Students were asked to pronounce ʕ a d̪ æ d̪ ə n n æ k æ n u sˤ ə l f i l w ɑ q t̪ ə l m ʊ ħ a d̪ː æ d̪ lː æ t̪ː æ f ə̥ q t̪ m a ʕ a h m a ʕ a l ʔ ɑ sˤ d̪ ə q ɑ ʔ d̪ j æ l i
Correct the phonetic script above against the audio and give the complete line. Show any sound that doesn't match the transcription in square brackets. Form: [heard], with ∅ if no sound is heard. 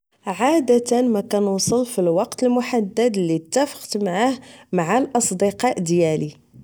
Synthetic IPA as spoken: ʕ a d̪ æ [t̪] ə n [m] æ k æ n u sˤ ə l f i l w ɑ q t̪ ə l m ʊ ħ a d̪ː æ d̪ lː [i] t̪ː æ f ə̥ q t̪ m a ʕ a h m a ʕ a l ʔ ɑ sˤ d̪ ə q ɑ ʔ d̪ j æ l i